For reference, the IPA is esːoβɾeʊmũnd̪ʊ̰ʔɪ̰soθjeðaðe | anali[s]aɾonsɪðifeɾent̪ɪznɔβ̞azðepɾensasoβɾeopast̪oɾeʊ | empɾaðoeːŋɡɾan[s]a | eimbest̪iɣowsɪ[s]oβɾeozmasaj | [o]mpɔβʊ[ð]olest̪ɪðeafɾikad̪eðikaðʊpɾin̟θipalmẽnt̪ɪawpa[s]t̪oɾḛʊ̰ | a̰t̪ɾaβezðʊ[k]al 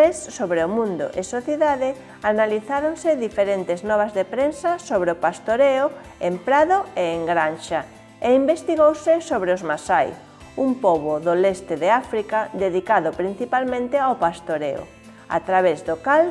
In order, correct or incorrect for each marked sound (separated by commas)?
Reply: incorrect, incorrect, correct, incorrect, correct, correct, correct